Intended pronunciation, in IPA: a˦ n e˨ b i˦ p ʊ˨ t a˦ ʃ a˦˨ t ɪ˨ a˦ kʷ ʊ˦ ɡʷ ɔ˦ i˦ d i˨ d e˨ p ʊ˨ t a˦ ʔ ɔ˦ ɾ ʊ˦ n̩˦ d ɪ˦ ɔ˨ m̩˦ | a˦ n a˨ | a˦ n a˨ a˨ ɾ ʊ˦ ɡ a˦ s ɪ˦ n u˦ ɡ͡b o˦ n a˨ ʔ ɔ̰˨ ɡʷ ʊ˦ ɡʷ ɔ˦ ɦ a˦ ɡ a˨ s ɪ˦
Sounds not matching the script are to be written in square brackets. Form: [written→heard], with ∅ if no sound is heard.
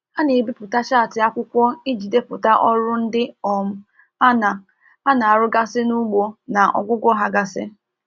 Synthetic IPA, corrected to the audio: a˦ n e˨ b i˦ p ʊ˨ t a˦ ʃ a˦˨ t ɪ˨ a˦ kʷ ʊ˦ [ɡʷ→kʷ] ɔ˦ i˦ [d→d͡ʒ] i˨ d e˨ p ʊ˨ t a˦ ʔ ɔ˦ ɾ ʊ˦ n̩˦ d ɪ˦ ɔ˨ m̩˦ | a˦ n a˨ | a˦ n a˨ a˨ ɾ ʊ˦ ɡ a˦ s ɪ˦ n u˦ ɡ͡b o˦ n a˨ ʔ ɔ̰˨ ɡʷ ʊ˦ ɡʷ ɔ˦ ɦ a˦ ɡ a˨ s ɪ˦